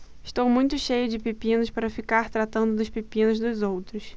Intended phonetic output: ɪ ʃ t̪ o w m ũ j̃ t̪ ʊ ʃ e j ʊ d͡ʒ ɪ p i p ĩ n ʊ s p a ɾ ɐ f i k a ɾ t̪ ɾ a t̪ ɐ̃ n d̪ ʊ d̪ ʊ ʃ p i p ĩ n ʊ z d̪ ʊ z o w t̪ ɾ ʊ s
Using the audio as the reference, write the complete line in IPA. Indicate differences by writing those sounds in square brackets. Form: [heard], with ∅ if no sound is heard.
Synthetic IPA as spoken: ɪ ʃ t̪ o w m ũ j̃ t̪ ʊ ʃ e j ʊ d͡ʒ ɪ p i p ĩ n ʊ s p a ɾ ɐ f i k a ɾ t̪ ɾ a t̪ ɐ̃ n d̪ ʊ d̪ ʊ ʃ p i p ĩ n ʊ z d̪ ʊ z o w t̪ ɾ ʊ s

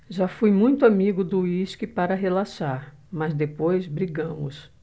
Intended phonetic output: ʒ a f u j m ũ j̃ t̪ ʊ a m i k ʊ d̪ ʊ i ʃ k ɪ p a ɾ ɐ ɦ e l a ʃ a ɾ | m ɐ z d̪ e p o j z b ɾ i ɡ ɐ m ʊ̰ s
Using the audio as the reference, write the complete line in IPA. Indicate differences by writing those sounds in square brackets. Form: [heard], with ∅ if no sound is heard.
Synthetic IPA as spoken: ʒ a f u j m ũ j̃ t̪ ʊ a m i [ɡ] ʊ d̪ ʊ i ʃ k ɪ p a ɾ ɐ ɦ e l a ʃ a ɾ | m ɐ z d̪ e p o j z b ɾ i ɡ [ɐ̃] m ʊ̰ s

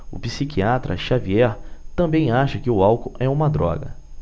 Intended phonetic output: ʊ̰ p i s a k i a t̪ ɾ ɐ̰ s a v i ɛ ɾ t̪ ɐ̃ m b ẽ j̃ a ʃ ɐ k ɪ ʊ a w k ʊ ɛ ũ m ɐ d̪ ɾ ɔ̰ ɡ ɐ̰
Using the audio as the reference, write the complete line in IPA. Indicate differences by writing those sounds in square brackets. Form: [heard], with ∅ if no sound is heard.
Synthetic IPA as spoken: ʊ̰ p i s [i] k i a t̪ ɾ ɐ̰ [ʃ] a v i ɛ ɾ t̪ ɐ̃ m b ẽ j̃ a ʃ ɐ k ɪ ʊ a w k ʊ ɛ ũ m ɐ d̪ ɾ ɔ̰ ɡ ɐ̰

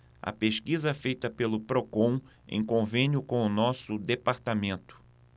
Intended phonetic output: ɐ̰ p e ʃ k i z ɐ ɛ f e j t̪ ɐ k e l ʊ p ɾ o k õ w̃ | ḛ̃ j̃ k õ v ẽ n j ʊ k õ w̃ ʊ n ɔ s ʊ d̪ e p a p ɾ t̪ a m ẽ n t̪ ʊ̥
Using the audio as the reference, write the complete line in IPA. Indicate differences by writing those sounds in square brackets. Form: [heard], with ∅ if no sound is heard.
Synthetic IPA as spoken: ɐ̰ p e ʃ k i z ɐ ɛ f e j t̪ ɐ [p] e l ʊ p ɾ o k õ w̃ | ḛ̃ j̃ k õ v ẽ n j ʊ k õ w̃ ʊ n ɔ s ʊ d̪ e p a [∅] ɾ t̪ a m ẽ n t̪ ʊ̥

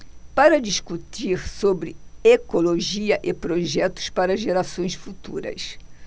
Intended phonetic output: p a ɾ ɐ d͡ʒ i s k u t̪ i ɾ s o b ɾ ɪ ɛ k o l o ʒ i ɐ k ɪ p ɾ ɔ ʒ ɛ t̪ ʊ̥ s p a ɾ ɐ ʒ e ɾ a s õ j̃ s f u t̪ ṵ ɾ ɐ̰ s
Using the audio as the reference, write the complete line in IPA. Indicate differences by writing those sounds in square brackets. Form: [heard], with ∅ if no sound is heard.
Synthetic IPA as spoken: p a ɾ ɐ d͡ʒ i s k u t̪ i ɾ s o b ɾ ɪ [e] k o l o ʒ i ɐ [ʔ] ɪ p ɾ [o] ʒ ɛ t̪ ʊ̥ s p a ɾ ɐ ʒ e ɾ a s õ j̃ s f u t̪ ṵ ɾ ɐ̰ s

